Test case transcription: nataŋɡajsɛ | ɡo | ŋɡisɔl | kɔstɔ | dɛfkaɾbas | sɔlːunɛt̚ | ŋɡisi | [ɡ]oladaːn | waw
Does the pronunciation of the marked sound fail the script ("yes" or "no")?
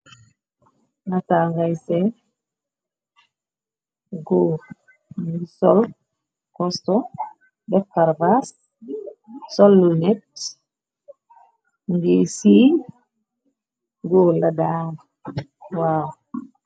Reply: no